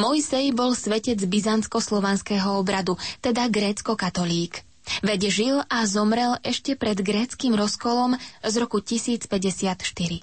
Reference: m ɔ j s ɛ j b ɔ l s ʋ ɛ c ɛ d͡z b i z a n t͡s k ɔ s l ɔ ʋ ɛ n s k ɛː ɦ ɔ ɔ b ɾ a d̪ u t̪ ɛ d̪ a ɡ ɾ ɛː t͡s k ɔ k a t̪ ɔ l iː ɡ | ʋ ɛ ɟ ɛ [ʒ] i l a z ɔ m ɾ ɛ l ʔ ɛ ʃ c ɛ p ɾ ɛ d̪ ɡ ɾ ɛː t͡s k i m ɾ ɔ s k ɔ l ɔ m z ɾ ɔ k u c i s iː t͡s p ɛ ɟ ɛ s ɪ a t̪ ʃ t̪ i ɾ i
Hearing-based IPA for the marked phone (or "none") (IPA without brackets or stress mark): ʒ